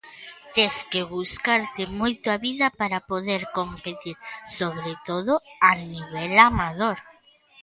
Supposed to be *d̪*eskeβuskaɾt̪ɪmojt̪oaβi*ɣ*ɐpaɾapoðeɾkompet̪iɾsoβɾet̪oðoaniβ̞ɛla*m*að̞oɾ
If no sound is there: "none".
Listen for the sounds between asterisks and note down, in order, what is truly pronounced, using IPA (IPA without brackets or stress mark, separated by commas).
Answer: t̪, ð, m